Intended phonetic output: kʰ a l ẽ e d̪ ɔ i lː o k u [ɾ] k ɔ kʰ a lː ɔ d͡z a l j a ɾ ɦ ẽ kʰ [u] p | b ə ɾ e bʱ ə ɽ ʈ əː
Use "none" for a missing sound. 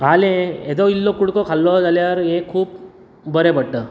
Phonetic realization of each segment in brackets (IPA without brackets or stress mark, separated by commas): ɽ, uː